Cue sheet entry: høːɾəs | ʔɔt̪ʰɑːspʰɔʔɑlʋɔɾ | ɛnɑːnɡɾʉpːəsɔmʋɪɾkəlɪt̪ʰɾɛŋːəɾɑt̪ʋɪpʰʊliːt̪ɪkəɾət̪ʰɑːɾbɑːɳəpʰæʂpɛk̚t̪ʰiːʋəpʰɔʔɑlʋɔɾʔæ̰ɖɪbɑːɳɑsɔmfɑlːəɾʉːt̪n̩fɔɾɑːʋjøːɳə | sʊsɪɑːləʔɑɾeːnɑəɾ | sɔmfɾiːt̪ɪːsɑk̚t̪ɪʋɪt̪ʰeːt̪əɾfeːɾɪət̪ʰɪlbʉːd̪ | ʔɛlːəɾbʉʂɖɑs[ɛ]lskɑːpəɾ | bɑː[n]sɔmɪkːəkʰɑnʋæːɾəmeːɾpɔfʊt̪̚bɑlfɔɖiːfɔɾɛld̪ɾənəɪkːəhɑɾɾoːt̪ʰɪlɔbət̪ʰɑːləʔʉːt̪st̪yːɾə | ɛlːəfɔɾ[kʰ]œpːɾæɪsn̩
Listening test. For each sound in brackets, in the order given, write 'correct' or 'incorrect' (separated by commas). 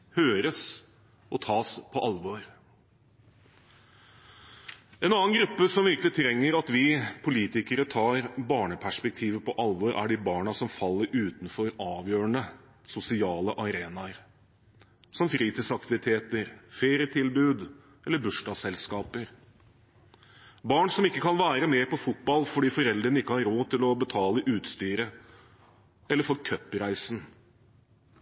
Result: correct, incorrect, correct